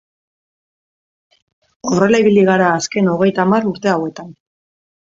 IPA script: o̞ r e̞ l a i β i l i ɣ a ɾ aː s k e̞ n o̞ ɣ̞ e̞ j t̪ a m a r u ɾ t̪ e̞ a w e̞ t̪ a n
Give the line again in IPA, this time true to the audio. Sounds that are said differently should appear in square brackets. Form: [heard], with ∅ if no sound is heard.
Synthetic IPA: o̞ r e̞ l a i β i l i ɣ a ɾ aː s k e̞ n o̞ ɣ̞ e̞ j t̪ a m a r u ɾ t̪ e̞ a w e̞ t̪ a n